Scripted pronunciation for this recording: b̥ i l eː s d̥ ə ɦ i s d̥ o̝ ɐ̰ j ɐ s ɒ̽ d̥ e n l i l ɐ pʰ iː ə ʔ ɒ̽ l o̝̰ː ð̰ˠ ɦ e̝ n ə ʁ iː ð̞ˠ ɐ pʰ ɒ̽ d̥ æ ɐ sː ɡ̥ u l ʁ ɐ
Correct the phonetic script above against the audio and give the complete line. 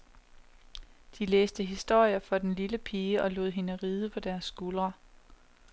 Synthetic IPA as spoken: d̥ i l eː s d̥ ə ɦ i s d̥ o̝ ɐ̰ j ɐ f ɒ̽ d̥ e n l i l ə pʰ iː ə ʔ ɒ̽ l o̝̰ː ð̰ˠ ɦ e̝ n ə ʁ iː ð̞ˠ ə pʰ ɒ̽ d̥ æ ɐ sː ɡ̥ u l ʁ ɐ